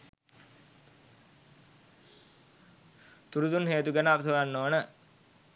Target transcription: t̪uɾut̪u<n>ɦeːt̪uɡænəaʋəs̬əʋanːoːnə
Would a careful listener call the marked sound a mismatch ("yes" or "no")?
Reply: no